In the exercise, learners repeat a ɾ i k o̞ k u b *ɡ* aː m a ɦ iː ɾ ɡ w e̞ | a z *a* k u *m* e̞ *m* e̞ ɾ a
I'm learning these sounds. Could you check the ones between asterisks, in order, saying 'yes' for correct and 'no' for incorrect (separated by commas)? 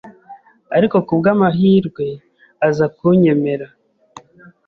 yes, yes, no, yes